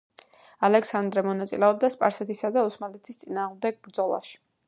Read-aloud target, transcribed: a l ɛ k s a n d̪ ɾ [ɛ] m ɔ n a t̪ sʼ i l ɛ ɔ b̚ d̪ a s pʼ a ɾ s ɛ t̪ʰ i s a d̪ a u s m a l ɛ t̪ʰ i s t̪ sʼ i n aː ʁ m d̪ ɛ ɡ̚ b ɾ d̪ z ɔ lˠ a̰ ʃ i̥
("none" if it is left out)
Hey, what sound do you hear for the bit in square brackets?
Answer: ɛ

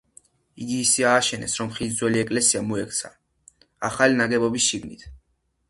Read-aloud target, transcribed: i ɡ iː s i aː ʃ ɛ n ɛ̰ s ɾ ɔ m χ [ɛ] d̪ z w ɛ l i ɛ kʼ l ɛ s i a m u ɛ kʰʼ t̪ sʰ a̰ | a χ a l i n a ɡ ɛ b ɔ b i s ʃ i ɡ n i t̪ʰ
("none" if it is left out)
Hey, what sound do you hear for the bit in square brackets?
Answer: i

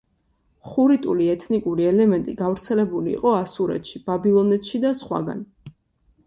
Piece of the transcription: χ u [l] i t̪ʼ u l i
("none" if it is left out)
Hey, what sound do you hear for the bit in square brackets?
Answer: ɾ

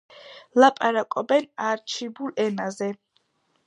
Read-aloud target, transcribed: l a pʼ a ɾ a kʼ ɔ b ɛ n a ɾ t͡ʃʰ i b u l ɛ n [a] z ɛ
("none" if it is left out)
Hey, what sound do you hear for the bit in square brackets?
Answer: a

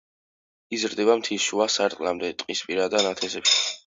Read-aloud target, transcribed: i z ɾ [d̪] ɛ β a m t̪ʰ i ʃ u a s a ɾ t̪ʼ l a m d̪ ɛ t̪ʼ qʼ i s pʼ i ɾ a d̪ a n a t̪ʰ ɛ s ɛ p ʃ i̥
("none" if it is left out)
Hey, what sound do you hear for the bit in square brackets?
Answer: d̪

